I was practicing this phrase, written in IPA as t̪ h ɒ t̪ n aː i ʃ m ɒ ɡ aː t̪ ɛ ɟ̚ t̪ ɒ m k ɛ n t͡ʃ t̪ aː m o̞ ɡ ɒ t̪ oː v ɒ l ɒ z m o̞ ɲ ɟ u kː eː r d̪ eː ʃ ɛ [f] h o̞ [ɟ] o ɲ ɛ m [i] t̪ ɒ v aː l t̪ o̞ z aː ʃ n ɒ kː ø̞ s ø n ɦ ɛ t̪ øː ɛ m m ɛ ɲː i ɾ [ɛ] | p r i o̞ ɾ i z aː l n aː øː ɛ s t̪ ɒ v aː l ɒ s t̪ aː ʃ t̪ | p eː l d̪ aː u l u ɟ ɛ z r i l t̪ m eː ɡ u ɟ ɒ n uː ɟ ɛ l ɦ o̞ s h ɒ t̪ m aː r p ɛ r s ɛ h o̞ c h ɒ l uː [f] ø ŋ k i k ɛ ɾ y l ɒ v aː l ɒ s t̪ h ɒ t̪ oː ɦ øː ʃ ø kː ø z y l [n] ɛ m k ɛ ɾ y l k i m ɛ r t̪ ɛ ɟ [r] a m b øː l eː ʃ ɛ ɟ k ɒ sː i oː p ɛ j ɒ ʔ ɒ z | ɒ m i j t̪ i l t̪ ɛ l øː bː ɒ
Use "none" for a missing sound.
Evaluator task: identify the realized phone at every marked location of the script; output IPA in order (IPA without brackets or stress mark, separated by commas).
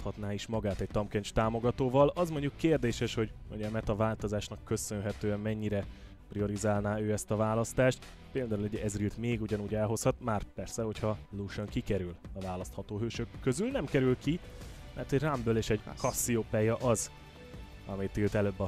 ʃ, ɟ, ɛ, ɛ, ʃ, n, r